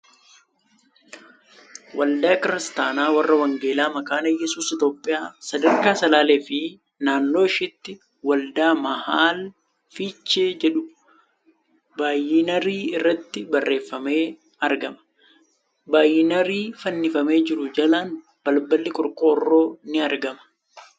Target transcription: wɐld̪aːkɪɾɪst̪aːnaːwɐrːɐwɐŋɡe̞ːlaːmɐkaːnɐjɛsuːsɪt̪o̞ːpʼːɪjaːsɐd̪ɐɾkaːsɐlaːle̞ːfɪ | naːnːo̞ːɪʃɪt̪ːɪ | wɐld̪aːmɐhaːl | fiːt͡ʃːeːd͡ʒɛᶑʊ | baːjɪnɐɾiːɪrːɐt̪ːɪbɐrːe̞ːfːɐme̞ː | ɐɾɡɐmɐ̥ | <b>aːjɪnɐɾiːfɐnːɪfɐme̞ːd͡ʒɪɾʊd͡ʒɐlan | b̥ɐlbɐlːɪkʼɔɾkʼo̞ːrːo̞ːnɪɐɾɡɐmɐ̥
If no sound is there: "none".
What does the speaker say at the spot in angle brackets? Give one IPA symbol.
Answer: b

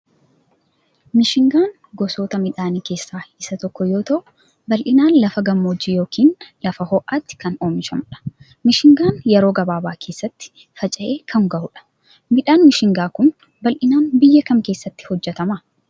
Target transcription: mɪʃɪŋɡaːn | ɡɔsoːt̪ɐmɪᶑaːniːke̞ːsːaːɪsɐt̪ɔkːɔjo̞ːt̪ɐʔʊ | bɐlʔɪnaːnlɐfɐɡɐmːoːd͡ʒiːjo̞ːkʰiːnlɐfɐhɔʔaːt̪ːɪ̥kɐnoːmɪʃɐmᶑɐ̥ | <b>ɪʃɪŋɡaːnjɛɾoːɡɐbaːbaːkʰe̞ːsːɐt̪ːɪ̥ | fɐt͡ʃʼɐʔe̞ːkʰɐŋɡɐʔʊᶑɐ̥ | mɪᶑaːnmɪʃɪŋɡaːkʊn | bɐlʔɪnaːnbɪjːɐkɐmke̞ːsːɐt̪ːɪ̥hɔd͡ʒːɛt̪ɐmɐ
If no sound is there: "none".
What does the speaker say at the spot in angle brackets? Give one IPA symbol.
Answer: m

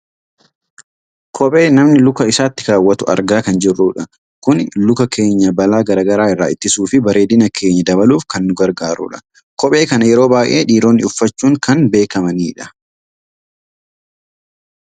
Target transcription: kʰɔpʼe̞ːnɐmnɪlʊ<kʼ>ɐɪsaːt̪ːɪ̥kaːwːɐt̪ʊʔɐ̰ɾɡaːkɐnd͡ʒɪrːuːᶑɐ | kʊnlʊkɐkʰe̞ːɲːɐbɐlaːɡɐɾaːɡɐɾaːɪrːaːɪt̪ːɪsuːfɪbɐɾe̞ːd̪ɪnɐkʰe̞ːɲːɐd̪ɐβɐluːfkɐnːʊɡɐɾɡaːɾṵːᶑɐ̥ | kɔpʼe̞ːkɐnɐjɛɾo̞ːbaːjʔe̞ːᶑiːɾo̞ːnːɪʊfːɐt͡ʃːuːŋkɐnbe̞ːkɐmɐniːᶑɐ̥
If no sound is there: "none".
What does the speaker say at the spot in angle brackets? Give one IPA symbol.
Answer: k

